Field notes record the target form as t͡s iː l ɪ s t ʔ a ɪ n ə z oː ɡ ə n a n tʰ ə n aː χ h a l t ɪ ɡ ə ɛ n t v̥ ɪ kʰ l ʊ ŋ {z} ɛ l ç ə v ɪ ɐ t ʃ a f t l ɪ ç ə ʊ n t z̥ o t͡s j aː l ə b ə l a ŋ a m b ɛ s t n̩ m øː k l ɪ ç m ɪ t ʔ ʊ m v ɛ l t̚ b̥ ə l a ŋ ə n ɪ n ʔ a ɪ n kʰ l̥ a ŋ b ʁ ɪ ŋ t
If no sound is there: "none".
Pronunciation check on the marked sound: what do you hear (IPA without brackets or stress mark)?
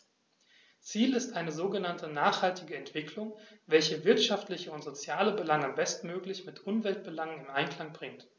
v